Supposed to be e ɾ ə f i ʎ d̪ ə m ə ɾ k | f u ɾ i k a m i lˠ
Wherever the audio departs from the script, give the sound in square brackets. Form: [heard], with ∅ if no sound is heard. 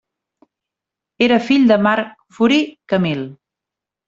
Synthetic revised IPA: e ɾ ə f i ʎ d̪ ə m [a] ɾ k | f u ɾ i k [ə] m i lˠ